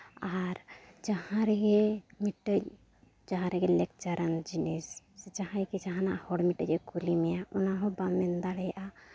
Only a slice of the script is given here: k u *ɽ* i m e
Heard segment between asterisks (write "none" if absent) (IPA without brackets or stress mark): l